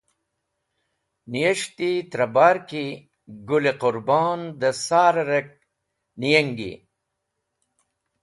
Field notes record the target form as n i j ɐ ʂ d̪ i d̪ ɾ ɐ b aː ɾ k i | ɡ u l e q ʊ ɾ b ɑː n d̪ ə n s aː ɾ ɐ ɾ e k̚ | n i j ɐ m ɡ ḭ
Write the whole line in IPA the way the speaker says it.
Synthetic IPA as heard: n i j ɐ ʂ t̪ i t̪ ɾ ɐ b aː ɾ k i | ɡ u l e q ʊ ɾ b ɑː n d̪ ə s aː ɾ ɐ ɾ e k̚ | n i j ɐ ŋ ɡ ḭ